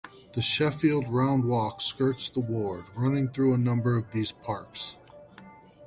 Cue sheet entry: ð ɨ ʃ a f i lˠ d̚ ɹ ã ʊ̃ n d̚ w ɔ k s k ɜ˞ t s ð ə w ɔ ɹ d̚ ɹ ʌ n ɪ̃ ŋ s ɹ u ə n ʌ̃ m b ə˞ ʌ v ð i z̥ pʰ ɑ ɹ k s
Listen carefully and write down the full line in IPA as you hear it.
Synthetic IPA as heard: ð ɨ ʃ ɛ f i lˠ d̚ ɹ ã ʊ̃ n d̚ w ɔ k s k ɜ˞ t s ð ə w ɔ ɹ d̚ ɹ ʌ n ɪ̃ ŋ θ ɹ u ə n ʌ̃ m b ə˞ ʌ v ð i z̥ pʰ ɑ ɹ k s